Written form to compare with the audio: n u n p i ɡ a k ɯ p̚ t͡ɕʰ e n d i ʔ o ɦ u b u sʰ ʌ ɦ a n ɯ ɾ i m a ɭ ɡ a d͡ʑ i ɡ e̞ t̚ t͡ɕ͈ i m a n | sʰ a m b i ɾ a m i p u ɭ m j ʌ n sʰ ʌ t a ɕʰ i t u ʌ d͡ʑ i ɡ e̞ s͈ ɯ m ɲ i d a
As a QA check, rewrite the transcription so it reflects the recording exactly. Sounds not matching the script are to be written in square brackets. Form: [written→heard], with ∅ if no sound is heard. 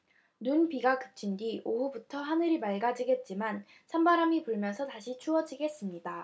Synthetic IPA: n u n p i ɡ a k ɯ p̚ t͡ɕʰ [e→i] n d i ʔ o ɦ u b u [sʰ→tʰ] ʌ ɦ a n ɯ ɾ i m a ɭ ɡ a d͡ʑ i ɡ e̞ t̚ t͡ɕ͈ i m a n | sʰ a m b [i→a] ɾ a m i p u ɭ m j ʌ n sʰ ʌ t a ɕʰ i [t→t͡ɕʰ] u ʌ d͡ʑ i ɡ e̞ s͈ ɯ m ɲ i d a